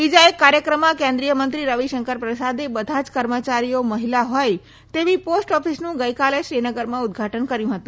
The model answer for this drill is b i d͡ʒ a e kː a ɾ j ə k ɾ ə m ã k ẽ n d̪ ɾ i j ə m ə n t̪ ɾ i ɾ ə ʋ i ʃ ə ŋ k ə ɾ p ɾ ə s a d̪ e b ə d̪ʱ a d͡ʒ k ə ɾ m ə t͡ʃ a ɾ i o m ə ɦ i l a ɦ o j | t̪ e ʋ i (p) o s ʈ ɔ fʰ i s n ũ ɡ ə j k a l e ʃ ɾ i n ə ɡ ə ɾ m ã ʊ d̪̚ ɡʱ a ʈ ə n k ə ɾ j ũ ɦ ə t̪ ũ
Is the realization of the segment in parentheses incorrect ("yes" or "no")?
no